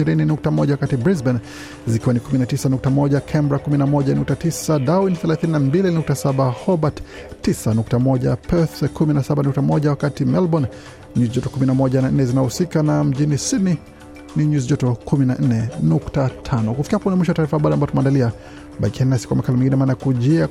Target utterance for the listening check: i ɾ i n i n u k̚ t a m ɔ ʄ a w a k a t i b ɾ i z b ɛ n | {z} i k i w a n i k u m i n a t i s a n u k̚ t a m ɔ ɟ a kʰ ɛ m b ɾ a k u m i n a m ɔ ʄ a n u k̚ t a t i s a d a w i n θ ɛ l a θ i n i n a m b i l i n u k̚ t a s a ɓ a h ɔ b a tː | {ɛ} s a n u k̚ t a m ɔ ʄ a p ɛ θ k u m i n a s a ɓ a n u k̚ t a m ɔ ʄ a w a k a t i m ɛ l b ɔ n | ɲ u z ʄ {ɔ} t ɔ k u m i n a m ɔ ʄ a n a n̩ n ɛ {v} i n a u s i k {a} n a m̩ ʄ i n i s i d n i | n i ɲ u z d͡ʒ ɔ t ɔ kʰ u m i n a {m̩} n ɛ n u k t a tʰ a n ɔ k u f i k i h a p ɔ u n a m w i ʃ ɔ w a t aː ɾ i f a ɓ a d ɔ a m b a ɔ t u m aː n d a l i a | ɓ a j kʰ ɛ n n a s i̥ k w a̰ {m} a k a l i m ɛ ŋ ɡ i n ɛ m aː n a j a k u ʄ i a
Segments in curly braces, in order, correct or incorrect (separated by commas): correct, incorrect, correct, incorrect, correct, incorrect, correct